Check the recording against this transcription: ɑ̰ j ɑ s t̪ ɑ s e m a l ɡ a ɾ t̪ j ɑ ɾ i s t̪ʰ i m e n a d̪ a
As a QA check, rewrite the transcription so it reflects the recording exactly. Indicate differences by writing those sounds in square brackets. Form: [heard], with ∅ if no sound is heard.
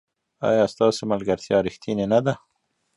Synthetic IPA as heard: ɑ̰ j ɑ s t̪ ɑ s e m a l ɡ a ɾ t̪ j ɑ ɾ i [x] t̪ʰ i [n] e n a d̪ a